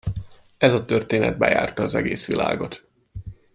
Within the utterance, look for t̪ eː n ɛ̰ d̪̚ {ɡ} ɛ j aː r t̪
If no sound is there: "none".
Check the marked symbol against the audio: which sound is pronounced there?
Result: b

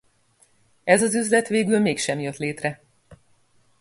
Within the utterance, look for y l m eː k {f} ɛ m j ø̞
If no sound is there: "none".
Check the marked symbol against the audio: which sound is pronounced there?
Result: ʃ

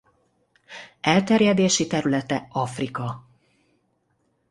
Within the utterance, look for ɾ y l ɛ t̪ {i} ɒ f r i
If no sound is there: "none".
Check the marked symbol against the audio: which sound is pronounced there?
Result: ɛ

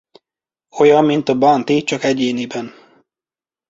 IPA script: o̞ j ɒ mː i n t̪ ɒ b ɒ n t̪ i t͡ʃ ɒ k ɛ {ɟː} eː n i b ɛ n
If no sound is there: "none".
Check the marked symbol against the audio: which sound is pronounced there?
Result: ɟ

